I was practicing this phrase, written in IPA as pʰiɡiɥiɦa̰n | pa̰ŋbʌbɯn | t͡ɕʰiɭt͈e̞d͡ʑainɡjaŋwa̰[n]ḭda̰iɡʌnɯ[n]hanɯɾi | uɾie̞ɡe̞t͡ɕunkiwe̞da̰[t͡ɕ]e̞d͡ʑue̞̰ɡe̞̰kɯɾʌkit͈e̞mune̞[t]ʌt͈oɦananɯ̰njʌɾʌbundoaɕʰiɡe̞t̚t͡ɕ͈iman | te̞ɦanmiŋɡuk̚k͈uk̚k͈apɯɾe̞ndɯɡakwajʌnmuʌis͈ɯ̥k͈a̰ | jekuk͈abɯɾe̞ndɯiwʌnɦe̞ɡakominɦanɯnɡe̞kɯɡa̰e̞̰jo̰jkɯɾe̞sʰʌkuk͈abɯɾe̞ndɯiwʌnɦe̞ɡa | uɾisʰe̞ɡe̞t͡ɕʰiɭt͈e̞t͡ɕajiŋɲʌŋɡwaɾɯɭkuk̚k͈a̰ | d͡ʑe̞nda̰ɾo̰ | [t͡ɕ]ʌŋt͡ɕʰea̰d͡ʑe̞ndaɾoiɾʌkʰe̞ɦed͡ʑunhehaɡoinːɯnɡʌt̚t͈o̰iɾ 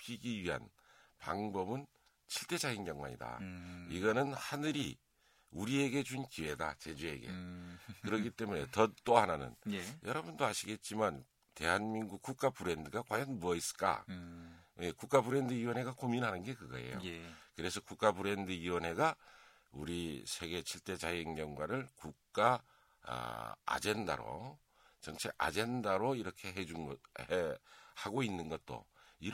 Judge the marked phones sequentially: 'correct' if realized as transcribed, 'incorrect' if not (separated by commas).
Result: incorrect, correct, correct, correct, correct